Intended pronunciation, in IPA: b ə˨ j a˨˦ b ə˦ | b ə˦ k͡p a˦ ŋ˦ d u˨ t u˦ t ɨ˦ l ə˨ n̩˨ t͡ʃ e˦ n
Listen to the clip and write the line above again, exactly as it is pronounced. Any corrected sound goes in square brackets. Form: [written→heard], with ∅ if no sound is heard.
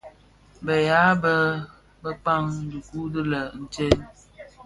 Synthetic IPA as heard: b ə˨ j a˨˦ b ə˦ | b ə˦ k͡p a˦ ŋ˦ d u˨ [t→k] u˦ [t→d] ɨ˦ l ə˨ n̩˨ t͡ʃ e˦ n